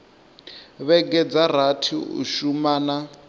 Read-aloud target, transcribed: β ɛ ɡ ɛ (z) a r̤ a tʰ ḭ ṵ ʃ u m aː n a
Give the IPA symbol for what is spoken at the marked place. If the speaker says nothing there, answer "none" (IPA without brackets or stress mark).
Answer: d͡z